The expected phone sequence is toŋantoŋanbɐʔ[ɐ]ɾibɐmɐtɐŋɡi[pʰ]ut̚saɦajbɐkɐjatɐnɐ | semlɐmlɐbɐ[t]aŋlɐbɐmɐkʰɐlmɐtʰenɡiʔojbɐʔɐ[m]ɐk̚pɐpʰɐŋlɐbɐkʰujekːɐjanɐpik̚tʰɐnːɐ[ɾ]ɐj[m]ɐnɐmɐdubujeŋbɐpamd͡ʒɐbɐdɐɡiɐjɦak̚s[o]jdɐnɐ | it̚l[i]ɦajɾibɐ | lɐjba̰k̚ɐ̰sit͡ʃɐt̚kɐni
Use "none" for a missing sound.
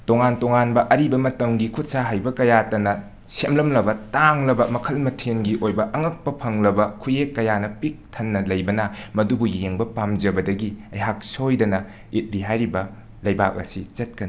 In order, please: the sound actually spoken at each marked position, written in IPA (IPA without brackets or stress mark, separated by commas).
ɐ, kʰ, t, ŋ, l, b, o, i